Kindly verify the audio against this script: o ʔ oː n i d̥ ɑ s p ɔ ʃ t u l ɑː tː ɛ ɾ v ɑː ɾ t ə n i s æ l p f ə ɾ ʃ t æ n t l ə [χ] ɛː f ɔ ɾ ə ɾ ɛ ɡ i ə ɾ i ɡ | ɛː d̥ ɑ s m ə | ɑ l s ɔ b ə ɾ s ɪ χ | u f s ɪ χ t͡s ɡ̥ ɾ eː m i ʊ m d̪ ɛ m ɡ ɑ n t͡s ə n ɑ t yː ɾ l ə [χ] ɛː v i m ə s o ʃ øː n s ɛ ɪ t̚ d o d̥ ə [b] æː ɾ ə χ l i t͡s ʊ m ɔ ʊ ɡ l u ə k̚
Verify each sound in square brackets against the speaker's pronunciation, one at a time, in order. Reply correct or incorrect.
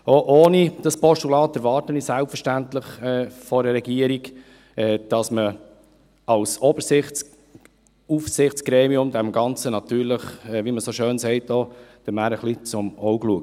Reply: correct, correct, incorrect

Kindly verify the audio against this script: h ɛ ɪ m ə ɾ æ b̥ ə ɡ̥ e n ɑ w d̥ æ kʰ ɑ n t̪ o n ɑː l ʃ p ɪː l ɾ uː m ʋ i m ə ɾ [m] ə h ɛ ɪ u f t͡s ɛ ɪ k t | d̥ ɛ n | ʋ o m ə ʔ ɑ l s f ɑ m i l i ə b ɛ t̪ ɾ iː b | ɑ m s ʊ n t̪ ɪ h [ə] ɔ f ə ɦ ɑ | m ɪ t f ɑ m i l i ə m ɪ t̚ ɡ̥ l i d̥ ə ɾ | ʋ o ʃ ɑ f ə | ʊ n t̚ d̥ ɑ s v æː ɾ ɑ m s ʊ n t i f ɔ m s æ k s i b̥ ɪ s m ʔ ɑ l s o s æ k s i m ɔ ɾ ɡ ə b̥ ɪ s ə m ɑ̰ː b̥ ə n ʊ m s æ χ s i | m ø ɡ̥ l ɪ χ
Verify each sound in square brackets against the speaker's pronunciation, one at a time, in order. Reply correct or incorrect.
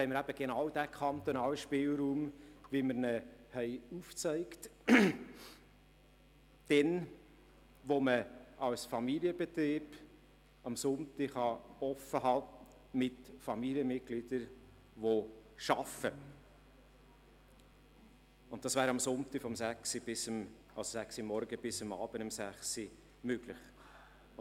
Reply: incorrect, incorrect

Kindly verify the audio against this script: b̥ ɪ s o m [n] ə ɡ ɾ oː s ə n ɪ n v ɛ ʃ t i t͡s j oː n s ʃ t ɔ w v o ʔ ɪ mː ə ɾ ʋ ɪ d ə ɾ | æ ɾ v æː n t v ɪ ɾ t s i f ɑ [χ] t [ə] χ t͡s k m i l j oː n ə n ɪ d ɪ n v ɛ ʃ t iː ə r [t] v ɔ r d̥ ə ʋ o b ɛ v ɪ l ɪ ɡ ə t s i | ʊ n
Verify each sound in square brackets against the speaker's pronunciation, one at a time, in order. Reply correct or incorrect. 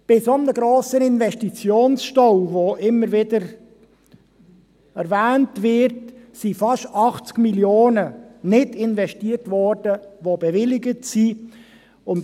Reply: correct, incorrect, incorrect, correct

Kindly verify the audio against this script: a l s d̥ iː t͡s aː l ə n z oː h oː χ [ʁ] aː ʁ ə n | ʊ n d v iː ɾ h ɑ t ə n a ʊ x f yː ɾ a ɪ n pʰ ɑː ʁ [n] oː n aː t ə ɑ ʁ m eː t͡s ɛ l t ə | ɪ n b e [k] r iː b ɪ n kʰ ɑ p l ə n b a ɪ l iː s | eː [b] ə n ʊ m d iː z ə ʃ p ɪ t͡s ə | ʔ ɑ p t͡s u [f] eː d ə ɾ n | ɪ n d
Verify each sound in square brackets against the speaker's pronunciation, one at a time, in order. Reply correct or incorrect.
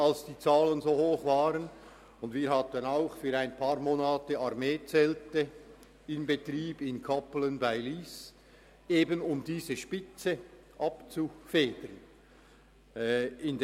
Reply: incorrect, incorrect, incorrect, correct, correct

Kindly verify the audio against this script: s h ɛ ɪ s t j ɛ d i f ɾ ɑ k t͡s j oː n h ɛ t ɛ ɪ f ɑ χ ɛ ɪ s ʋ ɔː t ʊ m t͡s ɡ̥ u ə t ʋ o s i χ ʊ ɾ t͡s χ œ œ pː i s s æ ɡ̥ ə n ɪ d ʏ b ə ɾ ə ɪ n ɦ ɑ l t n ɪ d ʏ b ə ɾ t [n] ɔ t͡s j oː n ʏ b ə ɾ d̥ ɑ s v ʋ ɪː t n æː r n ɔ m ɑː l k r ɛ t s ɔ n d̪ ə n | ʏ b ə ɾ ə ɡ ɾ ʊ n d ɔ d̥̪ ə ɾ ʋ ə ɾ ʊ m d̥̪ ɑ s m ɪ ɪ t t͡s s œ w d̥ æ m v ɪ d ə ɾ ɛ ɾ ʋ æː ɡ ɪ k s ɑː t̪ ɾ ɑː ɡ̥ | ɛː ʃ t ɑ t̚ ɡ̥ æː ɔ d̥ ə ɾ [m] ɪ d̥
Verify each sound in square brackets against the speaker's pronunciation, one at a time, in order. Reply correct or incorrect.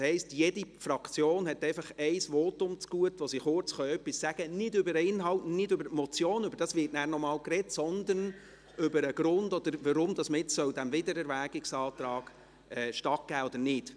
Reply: incorrect, incorrect

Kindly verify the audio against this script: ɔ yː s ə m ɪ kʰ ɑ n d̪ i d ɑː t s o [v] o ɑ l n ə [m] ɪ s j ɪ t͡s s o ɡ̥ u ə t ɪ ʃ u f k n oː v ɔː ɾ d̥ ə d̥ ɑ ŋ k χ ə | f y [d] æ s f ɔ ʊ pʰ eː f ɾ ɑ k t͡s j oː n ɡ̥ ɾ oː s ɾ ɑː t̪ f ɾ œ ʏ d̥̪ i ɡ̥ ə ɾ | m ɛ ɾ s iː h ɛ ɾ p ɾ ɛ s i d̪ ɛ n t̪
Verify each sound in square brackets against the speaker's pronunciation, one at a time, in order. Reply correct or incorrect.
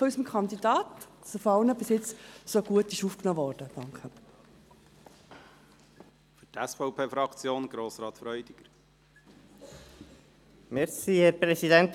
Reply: incorrect, incorrect, incorrect

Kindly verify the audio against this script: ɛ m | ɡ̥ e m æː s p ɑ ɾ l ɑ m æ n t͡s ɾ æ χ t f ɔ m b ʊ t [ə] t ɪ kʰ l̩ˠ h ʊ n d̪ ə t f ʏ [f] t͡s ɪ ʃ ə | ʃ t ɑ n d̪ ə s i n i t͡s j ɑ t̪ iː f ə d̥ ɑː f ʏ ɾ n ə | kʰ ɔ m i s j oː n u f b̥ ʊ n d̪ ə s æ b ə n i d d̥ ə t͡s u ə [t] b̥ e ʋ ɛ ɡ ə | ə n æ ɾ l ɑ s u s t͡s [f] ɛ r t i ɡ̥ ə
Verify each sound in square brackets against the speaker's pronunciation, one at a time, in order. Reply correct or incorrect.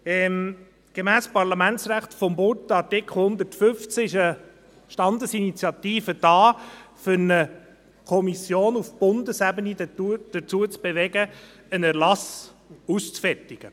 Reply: incorrect, correct, incorrect, correct

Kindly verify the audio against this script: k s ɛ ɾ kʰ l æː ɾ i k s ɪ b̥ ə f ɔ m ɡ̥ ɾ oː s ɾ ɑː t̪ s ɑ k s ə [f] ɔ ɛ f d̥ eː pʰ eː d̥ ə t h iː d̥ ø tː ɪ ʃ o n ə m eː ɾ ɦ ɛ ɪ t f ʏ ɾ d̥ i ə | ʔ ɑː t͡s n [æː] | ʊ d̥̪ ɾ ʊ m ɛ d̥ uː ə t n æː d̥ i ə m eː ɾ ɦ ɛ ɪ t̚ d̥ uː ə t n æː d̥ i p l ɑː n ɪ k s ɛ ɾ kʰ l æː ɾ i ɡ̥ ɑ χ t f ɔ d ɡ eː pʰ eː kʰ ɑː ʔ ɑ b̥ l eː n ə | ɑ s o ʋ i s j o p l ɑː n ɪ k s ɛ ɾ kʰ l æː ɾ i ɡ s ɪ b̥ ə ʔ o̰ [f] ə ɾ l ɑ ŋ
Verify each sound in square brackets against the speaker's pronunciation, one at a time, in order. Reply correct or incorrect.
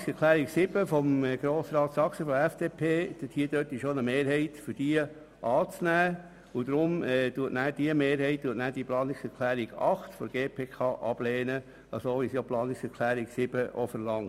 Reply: correct, correct, correct

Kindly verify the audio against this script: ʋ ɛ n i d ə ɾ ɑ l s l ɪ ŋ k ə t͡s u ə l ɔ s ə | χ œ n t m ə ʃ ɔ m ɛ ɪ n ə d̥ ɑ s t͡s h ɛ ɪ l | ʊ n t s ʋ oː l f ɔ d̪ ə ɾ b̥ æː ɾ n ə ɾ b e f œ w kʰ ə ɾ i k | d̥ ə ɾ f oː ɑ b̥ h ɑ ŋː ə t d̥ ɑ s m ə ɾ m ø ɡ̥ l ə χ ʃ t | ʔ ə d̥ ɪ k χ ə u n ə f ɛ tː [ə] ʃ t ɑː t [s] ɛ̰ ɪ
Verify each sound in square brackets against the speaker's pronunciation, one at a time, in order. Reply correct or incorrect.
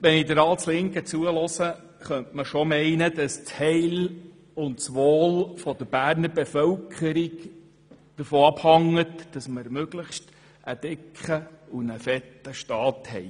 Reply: correct, incorrect

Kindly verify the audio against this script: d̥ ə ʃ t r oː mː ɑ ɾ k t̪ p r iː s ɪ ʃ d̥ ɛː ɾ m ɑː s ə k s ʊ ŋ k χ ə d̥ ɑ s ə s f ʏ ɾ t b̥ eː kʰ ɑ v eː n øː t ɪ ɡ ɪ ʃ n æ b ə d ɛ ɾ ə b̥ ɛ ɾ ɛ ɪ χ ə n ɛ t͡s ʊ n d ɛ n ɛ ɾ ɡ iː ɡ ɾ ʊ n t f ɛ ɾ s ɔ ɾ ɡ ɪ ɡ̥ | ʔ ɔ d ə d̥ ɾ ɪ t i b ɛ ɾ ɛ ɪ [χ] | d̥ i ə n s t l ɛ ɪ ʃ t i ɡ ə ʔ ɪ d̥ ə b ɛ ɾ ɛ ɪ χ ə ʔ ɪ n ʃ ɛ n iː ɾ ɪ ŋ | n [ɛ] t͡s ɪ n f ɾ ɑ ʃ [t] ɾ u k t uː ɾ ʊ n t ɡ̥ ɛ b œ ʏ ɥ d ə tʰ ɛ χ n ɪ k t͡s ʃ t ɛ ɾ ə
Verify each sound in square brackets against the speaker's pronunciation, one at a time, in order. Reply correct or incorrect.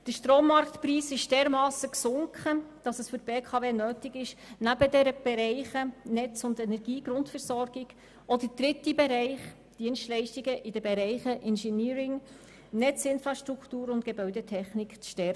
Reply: correct, correct, correct

